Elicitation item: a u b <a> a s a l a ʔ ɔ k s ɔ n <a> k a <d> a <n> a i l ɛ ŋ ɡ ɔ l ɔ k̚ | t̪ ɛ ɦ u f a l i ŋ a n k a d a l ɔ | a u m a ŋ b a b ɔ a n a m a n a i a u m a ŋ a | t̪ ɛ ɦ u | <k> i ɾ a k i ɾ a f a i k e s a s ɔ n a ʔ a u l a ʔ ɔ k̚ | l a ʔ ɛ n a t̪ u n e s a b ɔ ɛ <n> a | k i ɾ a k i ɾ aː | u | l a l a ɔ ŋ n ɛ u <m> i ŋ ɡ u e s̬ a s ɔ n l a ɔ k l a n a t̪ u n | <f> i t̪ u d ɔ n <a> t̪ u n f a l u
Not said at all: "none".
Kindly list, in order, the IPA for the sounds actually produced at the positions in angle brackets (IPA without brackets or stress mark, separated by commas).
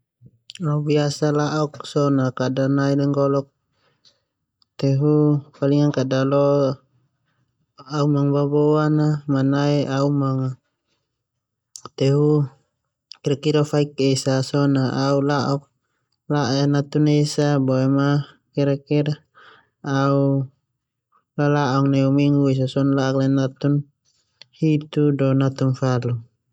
i, a, d, n, k, m, m, h, a